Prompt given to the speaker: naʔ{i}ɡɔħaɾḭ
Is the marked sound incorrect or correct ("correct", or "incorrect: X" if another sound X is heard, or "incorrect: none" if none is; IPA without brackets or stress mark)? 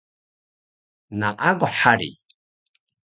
incorrect: a